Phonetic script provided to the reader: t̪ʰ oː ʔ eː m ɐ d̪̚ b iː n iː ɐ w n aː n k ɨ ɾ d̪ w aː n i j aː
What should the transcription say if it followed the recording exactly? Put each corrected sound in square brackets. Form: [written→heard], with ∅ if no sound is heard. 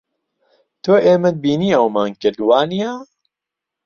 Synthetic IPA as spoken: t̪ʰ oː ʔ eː m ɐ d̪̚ b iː n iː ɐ w [n→m] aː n k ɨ ɾ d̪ w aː n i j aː

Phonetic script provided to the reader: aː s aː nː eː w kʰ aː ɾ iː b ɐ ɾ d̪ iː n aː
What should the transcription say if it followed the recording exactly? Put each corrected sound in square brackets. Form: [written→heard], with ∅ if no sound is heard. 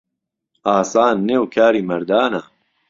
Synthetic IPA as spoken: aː s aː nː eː w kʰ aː ɾ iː [b→m] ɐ ɾ d̪ [iː→aː] n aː

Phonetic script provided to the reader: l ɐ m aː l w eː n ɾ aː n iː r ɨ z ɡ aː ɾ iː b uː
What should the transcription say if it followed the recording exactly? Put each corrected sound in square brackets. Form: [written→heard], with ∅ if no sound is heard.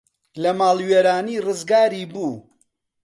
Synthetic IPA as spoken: l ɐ m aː l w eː [n→∅] ɾ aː n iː r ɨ z ɡ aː ɾ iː b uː

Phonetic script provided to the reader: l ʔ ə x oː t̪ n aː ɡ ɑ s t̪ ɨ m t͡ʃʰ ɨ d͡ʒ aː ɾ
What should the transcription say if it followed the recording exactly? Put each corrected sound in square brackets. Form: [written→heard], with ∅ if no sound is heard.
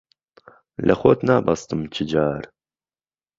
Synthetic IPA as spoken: l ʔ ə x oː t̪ n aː [ɡ→b] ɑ s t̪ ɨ m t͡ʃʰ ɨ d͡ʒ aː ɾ

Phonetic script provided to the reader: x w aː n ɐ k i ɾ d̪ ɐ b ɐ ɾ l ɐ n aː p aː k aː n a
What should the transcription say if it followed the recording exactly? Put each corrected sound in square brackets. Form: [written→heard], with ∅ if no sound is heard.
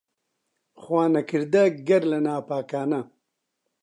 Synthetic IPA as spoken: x w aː n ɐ k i ɾ d̪ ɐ [b→ɡ] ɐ ɾ l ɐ n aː p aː k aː n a

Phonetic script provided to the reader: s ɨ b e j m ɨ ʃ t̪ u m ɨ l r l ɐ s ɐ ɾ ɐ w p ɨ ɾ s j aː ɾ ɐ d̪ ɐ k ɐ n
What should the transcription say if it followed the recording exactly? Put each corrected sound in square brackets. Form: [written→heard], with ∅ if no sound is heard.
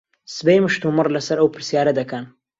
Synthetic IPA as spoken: s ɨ b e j m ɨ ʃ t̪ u m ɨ [l→∅] r l ɐ s ɐ ɾ ɐ w p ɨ ɾ s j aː ɾ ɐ d̪ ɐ k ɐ n

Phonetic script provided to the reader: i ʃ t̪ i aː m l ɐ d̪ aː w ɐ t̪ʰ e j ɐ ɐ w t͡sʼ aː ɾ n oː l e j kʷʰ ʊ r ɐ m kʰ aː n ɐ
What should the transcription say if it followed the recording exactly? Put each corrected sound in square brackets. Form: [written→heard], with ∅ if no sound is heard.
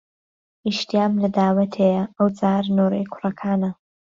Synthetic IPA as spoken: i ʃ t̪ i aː m l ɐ d̪ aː w ɐ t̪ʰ e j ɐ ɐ w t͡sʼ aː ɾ n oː [l→ɾ] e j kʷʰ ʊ r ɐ [m→∅] kʰ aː n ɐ

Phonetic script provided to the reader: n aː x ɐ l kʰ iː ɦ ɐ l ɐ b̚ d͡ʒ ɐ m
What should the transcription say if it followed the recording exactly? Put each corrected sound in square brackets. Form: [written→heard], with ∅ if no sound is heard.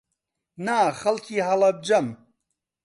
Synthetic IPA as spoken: n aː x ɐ l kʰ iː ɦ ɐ l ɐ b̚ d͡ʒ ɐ m

